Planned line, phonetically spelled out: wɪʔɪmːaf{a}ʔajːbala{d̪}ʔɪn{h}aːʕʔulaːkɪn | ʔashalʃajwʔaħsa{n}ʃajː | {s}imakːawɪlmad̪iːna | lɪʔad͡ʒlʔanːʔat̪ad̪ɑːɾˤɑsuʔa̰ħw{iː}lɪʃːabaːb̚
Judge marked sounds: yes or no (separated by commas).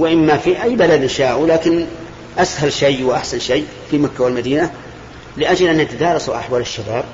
no, yes, no, yes, no, no